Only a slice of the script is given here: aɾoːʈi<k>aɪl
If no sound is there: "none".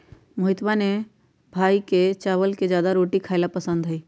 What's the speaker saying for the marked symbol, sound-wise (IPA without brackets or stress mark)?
kʰ